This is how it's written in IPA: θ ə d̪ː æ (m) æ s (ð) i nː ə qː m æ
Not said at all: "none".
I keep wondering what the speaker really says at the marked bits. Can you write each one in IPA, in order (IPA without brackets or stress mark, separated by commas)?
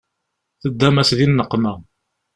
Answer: m, ð